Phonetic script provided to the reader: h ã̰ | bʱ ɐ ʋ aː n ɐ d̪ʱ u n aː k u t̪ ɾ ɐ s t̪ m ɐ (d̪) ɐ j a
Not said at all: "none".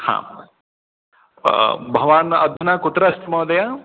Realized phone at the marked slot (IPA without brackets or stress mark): d̪